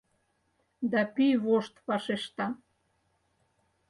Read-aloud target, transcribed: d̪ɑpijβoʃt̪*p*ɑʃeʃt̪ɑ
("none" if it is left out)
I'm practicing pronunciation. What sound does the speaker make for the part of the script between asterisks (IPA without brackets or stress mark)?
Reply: p